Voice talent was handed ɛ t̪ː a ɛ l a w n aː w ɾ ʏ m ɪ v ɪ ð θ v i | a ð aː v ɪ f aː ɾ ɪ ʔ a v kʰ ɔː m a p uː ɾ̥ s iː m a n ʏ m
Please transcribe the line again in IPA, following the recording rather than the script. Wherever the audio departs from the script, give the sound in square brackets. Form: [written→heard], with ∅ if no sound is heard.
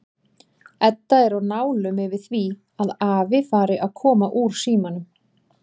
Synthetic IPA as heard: ɛ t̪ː a ɛ [l→ɾ] a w n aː w [ɾ→l] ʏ m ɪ v ɪ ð θ v i | a ð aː v ɪ f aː ɾ ɪ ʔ a [v→ð] kʰ ɔː m a [p→ʔ] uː ɾ̥ s iː m a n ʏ m